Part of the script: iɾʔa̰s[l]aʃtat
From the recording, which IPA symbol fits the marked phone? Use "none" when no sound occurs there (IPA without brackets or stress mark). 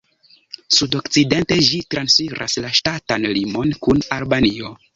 l